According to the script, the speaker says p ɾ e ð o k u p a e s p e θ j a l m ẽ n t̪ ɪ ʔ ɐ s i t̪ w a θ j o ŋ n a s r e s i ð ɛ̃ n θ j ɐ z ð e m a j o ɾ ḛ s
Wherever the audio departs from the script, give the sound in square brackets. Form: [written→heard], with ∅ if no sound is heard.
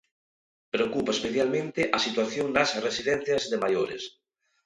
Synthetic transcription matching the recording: p ɾ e [ð→∅] o k u p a e s p e θ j a l m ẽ n t̪ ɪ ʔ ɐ s i t̪ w a θ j o ŋ n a s r e s i ð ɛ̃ n θ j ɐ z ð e m a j o ɾ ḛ s